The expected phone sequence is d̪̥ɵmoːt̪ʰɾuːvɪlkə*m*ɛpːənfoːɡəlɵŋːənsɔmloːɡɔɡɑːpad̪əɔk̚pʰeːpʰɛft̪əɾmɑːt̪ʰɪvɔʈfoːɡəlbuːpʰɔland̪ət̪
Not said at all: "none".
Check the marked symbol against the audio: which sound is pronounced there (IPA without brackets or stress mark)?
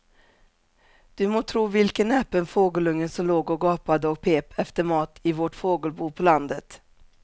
n